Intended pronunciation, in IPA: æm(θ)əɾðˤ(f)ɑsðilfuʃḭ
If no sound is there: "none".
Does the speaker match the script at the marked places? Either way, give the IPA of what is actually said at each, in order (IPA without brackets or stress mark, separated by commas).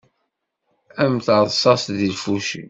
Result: θ, s